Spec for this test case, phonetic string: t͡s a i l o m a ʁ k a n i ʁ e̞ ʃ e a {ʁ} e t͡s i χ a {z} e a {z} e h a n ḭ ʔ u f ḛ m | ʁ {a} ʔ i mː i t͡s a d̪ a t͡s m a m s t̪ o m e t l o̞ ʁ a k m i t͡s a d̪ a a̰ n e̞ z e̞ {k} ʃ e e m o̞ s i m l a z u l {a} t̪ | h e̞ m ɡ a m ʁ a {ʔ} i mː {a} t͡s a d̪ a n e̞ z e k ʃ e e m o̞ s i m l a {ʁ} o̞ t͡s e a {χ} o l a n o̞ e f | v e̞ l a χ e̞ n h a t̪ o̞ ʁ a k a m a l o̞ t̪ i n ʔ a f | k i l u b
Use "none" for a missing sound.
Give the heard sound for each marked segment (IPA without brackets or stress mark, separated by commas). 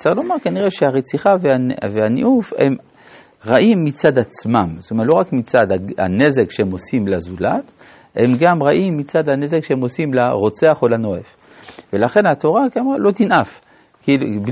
ʁ, v, v, a, k, a, ʔ, i, ʁ, χ